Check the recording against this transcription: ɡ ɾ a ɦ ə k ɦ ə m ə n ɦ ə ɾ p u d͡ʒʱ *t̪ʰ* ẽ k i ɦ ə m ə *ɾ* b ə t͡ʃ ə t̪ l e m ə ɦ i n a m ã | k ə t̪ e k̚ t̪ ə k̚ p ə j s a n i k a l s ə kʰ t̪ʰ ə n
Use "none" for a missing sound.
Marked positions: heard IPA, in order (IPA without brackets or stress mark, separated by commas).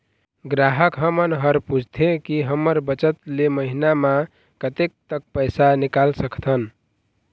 t̪ʰ, ɾ